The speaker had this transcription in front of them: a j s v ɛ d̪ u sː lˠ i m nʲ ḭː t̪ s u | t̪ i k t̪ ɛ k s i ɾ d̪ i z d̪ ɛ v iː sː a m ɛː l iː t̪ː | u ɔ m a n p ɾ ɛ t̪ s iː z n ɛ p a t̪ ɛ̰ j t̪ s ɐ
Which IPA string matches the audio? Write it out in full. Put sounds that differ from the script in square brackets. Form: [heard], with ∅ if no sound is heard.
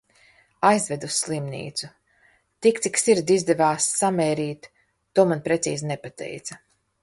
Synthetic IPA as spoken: a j [z] v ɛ d̪ u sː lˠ i m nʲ ḭː t̪ s u | t̪ i k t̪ [i] k s i ɾ d̪ i z d̪ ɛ v [aː] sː a m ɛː [ɾ] iː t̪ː | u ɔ m a n p ɾ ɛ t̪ s iː z n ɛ p a t̪ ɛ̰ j t̪ s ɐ

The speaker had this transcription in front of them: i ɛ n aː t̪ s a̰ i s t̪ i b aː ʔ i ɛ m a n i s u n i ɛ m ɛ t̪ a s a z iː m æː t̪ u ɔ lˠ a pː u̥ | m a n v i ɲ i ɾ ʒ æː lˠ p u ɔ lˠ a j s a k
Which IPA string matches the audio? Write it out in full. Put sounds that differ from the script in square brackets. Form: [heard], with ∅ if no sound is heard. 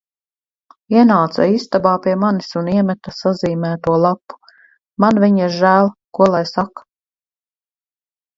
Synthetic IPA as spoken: i ɛ n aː t̪ s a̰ i s t̪ [a] b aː [p] i ɛ m a n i s u n i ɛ m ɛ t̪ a s a z iː m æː t̪ u ɔ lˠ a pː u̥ | m a n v i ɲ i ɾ ʒ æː lˠ [k] u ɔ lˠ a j s a k

